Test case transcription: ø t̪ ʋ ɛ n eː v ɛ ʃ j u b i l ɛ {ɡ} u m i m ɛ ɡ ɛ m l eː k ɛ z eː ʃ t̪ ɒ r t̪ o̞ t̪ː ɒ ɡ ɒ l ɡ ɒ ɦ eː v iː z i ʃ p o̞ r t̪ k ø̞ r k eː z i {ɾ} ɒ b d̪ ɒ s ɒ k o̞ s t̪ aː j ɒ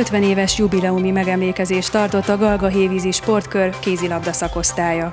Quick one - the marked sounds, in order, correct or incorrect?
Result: incorrect: none, incorrect: l

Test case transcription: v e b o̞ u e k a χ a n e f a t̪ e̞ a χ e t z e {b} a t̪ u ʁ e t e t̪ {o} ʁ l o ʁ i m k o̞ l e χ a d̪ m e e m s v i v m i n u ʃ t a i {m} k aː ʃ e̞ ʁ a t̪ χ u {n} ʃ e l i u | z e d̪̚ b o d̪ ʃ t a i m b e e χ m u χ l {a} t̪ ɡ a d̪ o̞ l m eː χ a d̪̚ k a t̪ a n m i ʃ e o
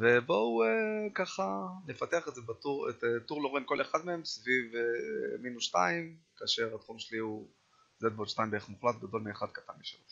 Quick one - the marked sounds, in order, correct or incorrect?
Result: correct, incorrect: u, correct, incorrect: m, correct

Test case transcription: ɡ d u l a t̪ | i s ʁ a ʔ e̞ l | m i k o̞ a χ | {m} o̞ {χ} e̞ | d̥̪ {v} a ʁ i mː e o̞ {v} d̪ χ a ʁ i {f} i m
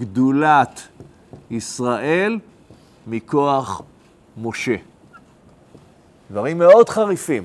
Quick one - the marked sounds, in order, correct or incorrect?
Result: correct, incorrect: ʃ, correct, incorrect: none, correct

